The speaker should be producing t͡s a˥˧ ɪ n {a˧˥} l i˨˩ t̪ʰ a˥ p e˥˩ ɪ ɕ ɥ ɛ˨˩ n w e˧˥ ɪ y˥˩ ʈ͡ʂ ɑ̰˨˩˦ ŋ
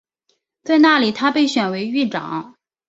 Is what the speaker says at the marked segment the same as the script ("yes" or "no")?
no